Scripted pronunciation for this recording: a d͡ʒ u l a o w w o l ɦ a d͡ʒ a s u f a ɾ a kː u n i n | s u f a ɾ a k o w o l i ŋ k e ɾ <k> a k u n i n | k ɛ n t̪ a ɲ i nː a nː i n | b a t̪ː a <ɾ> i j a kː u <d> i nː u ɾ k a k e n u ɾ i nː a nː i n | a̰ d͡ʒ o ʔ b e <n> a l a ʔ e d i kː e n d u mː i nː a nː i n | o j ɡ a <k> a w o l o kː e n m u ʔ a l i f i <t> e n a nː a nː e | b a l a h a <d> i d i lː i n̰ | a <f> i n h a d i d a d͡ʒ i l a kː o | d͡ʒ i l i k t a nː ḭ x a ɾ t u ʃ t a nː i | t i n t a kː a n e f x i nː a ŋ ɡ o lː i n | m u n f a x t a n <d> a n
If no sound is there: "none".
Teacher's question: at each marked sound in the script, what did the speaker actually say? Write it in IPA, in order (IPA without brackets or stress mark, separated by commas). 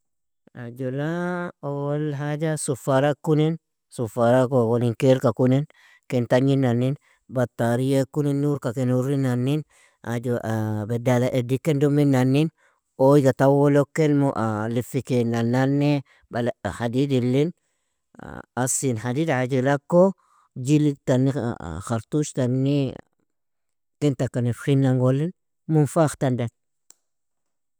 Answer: k, ɾ, n, d, t, k, d, s, d